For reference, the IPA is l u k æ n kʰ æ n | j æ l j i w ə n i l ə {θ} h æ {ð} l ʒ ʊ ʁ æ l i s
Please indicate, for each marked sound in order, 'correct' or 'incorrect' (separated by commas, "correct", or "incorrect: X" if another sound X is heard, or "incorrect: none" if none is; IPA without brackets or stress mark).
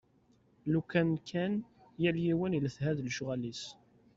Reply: correct, correct